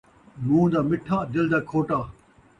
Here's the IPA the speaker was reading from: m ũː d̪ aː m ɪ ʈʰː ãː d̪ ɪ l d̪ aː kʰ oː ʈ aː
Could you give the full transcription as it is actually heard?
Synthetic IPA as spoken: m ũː d̪ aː m ɪ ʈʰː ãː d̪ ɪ l d̪ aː kʰ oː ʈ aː

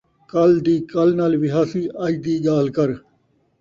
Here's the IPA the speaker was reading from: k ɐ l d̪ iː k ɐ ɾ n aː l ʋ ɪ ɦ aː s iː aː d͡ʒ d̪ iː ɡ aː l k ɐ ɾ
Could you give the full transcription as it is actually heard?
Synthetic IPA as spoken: k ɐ l d̪ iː k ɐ l n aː l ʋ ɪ ɦ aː s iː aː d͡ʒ d̪ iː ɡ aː l k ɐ ɾ

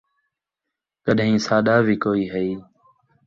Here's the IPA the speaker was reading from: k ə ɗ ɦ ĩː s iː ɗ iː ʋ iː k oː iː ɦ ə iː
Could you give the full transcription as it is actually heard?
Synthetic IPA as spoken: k ə ɗ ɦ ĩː s aː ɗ aː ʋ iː k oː iː ɦ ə iː

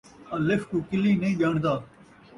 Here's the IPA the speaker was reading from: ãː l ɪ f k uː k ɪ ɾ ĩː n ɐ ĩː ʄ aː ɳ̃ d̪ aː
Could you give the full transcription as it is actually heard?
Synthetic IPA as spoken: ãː l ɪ f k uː k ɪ l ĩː n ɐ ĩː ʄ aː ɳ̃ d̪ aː

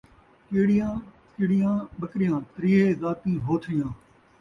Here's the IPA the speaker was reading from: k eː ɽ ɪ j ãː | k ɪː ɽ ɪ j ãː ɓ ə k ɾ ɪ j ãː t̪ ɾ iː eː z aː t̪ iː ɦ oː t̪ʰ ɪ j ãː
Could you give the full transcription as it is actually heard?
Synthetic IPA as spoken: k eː ɽ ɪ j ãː | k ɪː ɽ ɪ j ãː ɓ ə k ɾ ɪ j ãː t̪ ɾ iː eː z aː t̪ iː ɦ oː t̪ʰ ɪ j ãː

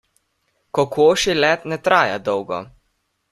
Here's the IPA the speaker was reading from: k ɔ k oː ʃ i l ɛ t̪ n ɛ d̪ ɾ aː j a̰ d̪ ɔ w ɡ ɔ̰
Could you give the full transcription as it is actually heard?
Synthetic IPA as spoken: k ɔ k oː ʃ i l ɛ t̪ n ɛ t̪ ɾ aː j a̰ d̪ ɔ w ɡ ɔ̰

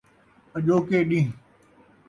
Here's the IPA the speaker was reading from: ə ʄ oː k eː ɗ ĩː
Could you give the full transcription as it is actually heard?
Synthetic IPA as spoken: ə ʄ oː k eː ɗ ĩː

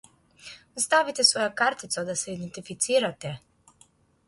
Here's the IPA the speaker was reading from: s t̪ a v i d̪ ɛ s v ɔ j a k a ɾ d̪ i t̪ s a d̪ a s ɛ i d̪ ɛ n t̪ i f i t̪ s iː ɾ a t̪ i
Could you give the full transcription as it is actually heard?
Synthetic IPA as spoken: s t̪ a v i t̪ ɛ s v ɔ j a k a ɾ t̪ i t̪ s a d̪ a s ɛ i d̪ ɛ n t̪ i f i t̪ s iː ɾ a t̪ ɛ

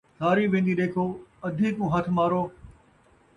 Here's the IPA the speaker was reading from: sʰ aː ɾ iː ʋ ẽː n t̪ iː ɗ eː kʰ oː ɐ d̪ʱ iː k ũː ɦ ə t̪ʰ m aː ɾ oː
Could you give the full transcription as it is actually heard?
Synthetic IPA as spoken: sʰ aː ɾ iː ʋ ẽː n d̪ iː ɗ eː kʰ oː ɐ d̪ʱ iː k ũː ɦ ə t̪ʰ m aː ɾ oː

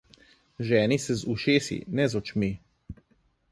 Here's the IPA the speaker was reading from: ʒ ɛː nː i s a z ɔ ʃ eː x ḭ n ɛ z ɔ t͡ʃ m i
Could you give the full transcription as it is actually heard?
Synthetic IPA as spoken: ʒ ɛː n i s ɛ z u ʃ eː s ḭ n ɛ z ɔ t͡ʃ m i

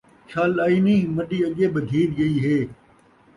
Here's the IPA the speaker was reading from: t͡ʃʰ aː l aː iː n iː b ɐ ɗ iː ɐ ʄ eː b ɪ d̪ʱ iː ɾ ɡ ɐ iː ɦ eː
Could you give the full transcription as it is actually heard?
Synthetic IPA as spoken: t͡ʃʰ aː l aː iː n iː m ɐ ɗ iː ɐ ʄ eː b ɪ d̪ʱ iː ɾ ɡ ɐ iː ɦ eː

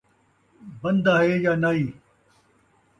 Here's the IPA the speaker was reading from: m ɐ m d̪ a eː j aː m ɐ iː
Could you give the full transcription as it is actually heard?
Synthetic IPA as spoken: b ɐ n d̪ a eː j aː n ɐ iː

